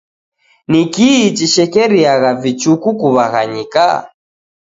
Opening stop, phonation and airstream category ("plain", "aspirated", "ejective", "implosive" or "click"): plain